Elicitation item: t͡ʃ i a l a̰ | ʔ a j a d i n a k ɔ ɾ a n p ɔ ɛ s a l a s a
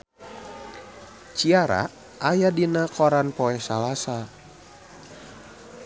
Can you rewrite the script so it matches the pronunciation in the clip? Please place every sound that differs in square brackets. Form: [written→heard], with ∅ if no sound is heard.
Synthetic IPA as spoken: t͡ʃ i a [l→ɾ] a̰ | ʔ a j a d i n a k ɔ ɾ a n p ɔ ɛ s a l a s a